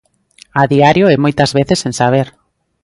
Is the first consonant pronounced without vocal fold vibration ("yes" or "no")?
no